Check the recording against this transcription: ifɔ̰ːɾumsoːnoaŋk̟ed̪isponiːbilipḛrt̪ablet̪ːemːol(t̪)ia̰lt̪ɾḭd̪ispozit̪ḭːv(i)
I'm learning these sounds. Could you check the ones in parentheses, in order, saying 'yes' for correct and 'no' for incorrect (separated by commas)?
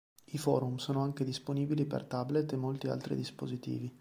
yes, yes